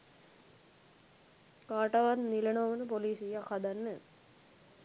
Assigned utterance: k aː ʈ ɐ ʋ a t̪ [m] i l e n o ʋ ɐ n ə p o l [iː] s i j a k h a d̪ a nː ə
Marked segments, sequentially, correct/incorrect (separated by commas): incorrect, correct